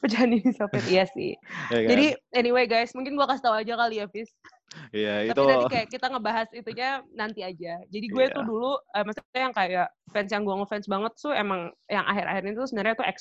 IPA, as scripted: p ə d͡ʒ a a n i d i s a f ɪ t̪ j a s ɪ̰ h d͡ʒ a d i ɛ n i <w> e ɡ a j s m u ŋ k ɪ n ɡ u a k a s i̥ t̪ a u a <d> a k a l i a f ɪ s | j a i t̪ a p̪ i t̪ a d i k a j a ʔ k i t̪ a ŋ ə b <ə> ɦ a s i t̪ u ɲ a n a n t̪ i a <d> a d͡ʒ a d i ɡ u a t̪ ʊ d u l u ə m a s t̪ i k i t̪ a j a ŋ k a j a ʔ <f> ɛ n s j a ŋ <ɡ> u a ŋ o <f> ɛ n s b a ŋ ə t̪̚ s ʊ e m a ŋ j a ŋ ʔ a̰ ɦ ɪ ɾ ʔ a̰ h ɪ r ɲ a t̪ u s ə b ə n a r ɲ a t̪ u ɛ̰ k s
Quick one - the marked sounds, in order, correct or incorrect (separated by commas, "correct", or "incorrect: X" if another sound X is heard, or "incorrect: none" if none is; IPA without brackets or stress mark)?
correct, incorrect: d͡ʒ, incorrect: a, incorrect: d͡ʒ, correct, correct, correct